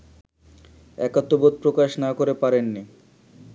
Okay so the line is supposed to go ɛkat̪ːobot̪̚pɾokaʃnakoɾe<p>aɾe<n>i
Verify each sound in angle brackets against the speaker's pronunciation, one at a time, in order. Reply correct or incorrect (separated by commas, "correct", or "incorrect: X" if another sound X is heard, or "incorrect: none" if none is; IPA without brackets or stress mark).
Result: correct, incorrect: nː